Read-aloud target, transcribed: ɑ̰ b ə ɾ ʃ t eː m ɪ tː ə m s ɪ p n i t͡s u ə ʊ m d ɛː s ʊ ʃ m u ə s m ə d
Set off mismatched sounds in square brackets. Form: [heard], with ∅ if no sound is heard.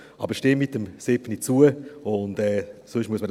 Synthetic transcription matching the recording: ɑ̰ b ə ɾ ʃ t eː m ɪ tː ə m s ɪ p n i t͡s u ə ʊ [n] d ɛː s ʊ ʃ m u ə s m ə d